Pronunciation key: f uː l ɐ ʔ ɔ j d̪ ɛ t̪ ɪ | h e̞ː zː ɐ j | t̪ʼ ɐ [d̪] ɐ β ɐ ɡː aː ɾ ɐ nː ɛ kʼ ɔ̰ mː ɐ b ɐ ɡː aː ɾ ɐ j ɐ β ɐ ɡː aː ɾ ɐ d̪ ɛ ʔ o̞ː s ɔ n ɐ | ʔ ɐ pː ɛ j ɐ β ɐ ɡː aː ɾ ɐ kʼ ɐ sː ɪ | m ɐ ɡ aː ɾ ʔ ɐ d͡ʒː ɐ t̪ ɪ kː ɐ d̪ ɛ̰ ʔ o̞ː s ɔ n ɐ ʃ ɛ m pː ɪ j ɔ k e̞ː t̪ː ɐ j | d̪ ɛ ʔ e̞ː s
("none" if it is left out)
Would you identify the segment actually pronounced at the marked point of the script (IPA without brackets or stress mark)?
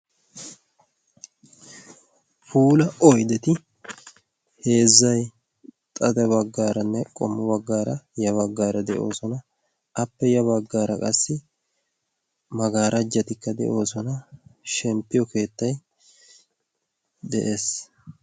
d̪